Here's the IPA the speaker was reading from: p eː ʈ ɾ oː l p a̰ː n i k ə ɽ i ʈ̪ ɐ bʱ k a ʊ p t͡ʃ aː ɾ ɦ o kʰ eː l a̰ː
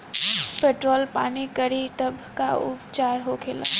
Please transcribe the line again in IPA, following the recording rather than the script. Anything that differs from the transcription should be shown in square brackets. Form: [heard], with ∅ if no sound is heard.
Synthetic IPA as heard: p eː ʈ ɾ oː l p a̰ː n i k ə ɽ i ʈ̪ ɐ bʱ k a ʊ p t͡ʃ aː ɾ ɦ o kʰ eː l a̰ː